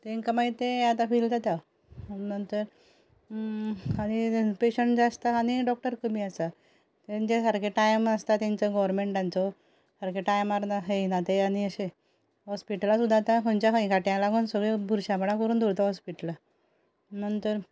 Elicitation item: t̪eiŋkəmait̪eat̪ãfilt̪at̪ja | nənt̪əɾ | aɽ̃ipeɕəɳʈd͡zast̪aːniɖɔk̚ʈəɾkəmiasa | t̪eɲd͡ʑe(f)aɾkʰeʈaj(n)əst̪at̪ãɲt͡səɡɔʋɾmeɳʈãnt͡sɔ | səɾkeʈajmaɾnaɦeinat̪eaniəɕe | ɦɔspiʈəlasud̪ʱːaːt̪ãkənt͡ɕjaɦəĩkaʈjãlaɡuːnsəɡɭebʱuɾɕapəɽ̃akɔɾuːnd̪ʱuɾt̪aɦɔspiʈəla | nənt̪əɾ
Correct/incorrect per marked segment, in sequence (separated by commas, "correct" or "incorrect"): incorrect, incorrect